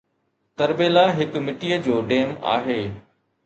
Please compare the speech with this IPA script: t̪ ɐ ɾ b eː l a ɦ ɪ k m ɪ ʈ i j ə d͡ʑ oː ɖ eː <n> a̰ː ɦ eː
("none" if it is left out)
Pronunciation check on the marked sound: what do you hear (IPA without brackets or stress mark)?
m